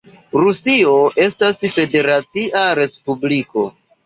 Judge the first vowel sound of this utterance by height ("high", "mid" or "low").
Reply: high